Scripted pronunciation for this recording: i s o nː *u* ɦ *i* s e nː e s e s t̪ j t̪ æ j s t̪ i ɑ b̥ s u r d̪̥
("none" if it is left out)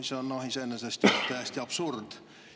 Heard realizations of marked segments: o, i

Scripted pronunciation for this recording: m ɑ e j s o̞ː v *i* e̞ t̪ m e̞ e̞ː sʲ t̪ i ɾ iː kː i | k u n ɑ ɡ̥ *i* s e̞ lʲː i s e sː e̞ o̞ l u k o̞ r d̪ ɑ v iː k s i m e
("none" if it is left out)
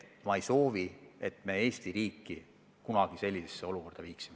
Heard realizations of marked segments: i, i

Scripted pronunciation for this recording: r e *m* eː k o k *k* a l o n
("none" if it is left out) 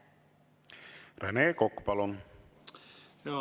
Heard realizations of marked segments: n, p

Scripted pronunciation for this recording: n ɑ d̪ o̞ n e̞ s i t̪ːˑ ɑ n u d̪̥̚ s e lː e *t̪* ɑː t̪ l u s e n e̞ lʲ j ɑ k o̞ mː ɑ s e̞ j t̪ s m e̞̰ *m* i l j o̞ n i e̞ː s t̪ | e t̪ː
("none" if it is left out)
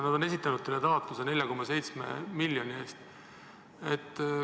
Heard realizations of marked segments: t̪, m

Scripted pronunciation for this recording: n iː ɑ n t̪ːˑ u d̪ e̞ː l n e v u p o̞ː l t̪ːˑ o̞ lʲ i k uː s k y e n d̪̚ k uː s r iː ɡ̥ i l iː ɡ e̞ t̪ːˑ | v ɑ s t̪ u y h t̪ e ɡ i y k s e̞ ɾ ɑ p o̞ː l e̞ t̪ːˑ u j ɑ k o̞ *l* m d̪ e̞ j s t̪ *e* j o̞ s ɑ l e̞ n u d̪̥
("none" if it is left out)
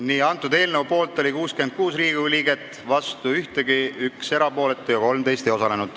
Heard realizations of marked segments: l, e

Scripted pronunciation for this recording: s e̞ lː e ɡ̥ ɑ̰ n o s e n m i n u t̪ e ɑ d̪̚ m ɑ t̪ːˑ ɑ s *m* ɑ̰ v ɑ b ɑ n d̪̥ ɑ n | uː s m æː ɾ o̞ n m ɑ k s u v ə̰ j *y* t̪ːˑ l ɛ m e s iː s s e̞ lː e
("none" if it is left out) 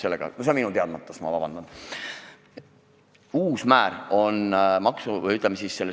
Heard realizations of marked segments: m, y

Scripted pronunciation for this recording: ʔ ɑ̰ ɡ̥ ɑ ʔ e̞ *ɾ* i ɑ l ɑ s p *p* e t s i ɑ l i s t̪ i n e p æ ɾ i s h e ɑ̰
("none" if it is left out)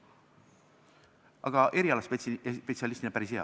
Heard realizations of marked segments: ɾ, p

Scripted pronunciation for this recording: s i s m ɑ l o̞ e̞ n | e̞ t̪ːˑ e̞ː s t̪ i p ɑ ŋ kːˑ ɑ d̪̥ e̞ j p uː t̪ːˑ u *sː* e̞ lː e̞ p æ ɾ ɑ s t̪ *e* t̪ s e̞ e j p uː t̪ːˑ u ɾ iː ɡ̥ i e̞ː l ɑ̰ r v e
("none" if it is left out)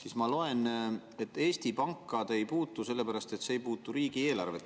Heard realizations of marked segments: s, e

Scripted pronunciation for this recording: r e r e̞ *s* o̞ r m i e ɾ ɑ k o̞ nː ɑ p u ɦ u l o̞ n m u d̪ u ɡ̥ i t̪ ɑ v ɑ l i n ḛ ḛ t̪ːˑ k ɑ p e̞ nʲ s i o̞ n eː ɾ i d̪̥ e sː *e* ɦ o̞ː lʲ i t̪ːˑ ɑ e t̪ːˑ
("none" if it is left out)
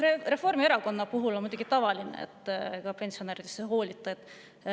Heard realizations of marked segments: f, e

